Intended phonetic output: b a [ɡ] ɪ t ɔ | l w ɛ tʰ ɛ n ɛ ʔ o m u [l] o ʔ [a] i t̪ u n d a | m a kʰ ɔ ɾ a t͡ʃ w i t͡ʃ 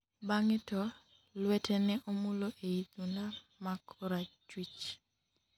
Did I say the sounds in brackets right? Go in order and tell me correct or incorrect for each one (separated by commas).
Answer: incorrect, correct, incorrect